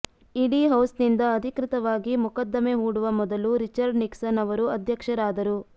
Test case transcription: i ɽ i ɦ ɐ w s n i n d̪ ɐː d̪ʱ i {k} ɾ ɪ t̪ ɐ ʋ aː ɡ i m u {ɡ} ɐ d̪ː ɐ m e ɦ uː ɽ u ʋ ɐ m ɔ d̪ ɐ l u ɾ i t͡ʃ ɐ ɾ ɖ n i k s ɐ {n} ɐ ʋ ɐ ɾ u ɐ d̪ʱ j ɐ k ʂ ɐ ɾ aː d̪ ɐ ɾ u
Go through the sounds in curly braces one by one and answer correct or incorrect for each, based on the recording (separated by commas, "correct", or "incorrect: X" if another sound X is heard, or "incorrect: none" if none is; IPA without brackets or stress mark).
correct, incorrect: k, correct